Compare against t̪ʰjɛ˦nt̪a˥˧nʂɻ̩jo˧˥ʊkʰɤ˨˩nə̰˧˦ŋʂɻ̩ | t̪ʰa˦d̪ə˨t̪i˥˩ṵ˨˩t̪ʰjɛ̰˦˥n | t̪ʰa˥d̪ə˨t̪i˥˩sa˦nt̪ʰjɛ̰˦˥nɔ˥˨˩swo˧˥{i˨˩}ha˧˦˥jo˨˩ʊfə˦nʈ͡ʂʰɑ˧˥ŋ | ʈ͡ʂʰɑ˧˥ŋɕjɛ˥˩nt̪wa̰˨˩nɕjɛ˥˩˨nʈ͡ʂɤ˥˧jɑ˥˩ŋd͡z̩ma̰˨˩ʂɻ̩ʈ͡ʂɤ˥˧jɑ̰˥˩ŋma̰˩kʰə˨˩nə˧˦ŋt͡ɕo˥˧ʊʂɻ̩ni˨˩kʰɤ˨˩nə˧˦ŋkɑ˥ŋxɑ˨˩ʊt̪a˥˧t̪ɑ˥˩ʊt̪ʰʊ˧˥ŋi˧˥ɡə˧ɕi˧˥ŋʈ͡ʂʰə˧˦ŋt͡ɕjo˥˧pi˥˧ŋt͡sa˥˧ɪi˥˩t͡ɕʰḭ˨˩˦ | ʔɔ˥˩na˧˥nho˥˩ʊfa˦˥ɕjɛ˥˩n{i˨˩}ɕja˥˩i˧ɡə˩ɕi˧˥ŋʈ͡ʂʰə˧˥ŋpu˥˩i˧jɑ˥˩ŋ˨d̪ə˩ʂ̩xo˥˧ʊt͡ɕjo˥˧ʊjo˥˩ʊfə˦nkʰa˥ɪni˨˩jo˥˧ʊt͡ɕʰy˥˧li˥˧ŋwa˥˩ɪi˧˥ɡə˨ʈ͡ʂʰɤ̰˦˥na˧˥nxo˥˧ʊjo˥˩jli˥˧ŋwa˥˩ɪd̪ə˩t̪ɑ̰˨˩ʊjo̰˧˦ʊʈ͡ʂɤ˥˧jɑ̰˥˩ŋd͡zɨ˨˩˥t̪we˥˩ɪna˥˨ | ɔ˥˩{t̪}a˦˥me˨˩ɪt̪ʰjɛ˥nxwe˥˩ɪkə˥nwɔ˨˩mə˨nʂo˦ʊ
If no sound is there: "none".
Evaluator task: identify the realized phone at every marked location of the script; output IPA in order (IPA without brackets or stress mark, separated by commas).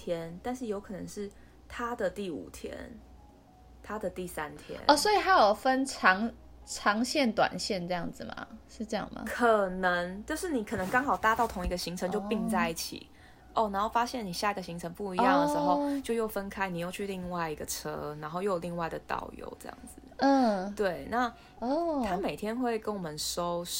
i˨˩, i˨˩, t̪ʰ